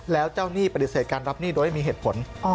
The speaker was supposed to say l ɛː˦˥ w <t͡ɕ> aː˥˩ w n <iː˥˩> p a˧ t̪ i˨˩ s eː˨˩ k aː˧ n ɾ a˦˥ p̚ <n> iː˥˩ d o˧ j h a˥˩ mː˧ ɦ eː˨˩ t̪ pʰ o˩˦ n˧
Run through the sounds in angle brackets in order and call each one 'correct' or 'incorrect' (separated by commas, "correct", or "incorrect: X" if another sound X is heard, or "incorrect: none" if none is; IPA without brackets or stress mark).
correct, correct, correct